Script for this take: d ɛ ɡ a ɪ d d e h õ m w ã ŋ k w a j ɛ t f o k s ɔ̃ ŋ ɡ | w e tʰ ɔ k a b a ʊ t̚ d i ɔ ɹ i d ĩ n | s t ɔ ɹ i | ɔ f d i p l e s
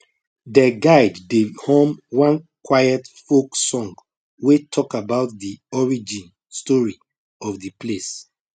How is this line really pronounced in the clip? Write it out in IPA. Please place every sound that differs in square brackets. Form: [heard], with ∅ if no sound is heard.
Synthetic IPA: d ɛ ɡ a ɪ d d e h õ m w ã [n] k w a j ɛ t f o k s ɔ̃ ŋ ɡ | w e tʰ ɔ k a b a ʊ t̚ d i ɔ ɹ i [d͡ʒ] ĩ n | s t ɔ ɹ i | ɔ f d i p l e s